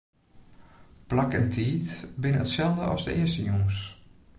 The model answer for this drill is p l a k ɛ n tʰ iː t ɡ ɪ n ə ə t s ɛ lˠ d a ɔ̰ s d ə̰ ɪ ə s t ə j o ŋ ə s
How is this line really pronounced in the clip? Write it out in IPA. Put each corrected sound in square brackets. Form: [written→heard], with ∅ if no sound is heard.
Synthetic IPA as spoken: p l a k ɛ n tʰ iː t [ɡ→b] ɪ n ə ə t s ɛ lˠ d [a→ə] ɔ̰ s d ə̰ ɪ ə s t ə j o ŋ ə s